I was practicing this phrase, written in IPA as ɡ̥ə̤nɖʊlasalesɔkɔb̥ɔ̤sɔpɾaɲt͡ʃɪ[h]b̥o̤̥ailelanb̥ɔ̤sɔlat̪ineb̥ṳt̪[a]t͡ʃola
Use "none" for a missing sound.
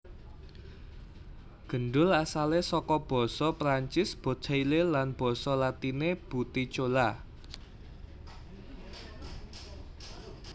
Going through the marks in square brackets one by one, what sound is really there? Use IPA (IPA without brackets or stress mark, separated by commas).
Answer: s, i